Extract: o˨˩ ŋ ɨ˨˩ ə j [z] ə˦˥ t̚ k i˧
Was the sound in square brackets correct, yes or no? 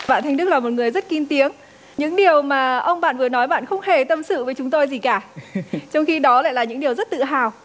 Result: yes